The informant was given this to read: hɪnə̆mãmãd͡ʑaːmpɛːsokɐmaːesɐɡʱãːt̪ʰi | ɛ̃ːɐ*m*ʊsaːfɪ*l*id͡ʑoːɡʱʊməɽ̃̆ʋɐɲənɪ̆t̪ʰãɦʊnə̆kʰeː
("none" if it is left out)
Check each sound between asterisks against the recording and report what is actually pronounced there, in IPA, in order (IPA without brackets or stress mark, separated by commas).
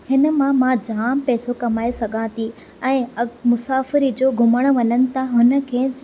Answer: m, ɾ